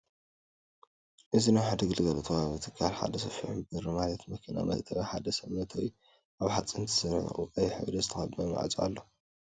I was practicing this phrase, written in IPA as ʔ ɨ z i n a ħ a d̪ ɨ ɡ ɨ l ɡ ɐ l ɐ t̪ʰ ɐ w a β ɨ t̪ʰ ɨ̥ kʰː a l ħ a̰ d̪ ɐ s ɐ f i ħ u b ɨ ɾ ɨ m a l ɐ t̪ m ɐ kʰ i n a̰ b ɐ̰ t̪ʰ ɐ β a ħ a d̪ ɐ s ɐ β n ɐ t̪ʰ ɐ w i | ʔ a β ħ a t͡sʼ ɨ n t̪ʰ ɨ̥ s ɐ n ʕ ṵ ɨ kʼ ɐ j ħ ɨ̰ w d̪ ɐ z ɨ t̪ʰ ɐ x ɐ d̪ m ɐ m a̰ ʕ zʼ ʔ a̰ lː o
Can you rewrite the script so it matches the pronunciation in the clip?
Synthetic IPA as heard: ʔ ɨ z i n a ħ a d̪ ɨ ɡ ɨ l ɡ ɐ l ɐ t̪ʰ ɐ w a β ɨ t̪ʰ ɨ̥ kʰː a l ħ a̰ d̪ ɐ s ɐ f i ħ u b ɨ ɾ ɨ m a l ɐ t̪ m ɐ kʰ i n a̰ m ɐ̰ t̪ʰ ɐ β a ħ a d̪ ɐ s ɐ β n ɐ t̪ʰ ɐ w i | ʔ a β ħ a t͡sʼ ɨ n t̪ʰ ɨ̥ s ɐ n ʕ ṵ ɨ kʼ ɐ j ħ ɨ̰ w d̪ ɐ z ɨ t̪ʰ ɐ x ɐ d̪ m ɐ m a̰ ʕ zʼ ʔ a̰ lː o